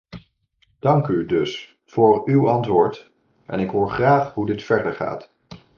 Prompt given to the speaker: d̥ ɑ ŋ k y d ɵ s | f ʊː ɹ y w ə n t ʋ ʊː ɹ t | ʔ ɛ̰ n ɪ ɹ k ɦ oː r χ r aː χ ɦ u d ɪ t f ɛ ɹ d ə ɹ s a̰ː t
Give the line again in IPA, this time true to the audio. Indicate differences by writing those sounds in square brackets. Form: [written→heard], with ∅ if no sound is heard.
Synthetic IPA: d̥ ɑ ŋ k y d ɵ s | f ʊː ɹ y w [ə→ɑ] n t ʋ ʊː ɹ t | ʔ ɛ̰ n ɪ [ɹ→∅] k ɦ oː [r→ɹ] χ r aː χ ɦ u d ɪ t f ɛ ɹ d ə ɹ [s→χ] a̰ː t